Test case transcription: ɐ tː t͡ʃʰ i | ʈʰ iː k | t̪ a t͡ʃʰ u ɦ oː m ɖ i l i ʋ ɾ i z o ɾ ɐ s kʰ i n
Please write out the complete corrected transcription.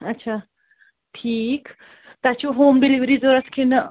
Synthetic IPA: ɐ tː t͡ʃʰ a | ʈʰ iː k | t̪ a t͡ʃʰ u ɦ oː m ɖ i l i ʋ ɾ i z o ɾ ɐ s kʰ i n